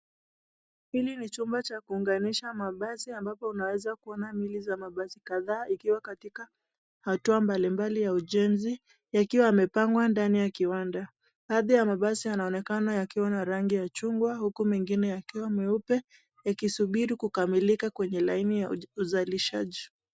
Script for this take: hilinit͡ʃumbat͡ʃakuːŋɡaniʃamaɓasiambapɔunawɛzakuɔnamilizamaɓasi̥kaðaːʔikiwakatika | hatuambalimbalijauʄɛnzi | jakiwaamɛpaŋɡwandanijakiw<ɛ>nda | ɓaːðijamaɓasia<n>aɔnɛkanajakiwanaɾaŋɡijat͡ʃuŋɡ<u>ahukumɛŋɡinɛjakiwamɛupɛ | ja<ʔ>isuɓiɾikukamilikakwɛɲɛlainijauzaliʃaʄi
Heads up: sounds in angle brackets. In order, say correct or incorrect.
incorrect: a, correct, incorrect: w, incorrect: k

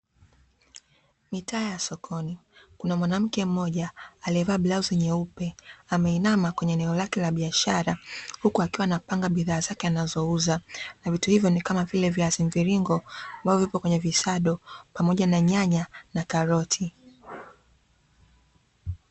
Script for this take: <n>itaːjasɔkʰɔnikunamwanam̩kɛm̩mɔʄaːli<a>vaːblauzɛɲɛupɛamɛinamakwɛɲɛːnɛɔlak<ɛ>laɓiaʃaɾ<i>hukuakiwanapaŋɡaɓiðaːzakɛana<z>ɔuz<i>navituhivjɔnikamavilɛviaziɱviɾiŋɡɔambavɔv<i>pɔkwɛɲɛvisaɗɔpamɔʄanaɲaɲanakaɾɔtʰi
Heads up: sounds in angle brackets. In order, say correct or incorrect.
incorrect: m, incorrect: ɛ, correct, incorrect: a, correct, incorrect: a, correct

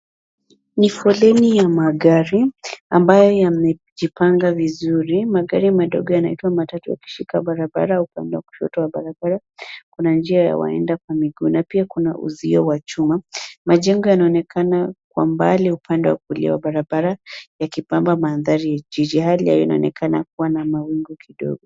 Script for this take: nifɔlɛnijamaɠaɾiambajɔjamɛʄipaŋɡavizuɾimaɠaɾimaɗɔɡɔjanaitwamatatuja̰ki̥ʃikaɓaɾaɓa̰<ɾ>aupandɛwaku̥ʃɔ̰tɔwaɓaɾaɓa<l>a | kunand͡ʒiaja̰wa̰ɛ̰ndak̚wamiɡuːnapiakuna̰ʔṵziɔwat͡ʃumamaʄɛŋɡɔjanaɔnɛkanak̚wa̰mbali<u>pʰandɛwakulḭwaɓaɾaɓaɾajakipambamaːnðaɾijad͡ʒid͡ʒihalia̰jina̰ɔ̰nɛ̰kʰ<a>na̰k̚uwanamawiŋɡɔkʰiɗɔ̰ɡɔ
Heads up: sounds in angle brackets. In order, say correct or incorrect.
correct, incorrect: ɾ, correct, correct

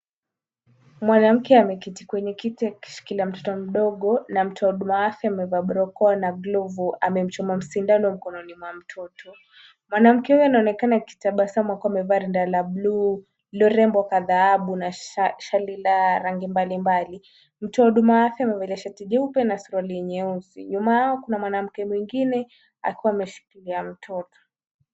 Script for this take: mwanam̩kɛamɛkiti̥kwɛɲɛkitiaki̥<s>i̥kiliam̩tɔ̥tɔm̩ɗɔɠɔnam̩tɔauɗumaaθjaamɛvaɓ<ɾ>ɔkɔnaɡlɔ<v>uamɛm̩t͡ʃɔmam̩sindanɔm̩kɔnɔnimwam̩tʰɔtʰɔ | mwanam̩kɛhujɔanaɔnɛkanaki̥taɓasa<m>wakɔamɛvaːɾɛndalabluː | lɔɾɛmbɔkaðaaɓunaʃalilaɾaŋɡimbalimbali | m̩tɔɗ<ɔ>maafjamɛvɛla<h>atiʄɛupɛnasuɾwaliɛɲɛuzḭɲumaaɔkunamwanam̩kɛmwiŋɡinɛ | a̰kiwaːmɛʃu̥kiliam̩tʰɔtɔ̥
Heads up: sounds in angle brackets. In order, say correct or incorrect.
incorrect: ʃ, correct, correct, correct, incorrect: u, incorrect: ʃ

